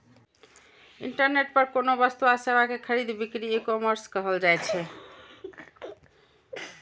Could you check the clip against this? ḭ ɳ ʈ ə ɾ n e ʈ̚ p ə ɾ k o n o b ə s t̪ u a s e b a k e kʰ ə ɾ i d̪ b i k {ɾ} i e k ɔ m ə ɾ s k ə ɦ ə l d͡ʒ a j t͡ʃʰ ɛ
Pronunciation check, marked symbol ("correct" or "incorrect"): correct